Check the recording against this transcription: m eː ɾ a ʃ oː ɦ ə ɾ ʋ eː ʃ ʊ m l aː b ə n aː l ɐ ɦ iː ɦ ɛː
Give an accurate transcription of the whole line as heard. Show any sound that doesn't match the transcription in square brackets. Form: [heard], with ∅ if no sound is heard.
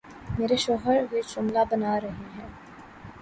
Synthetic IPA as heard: m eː ɾ [e] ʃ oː ɦ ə ɾ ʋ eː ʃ ʊ m l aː b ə n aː [ɾ] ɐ ɦ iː ɦ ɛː